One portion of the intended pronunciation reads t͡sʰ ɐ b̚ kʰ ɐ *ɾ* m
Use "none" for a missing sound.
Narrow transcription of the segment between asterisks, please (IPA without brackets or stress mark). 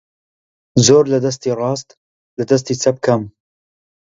none